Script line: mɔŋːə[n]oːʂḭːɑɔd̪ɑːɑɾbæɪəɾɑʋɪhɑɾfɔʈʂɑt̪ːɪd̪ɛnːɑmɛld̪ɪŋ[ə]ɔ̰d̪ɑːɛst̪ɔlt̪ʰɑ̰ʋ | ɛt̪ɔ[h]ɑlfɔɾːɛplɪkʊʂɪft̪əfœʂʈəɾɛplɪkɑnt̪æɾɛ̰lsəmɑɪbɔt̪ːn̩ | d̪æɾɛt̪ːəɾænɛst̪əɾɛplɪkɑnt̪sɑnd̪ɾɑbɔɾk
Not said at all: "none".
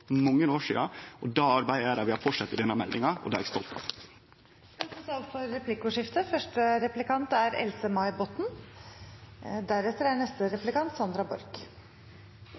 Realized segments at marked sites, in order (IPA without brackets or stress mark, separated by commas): n, ɑ, s